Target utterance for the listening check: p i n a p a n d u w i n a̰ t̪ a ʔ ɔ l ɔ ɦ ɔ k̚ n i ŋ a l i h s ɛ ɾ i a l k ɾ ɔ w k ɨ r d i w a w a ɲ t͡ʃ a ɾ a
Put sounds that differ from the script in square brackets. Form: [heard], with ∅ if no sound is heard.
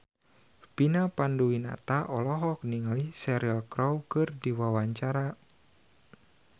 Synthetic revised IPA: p i n a p a n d u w i n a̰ t̪ a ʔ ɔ l ɔ ɦ ɔ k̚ n i ŋ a l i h s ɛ ɾ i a l k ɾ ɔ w k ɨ r d i w a w a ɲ t͡ʃ a ɾ a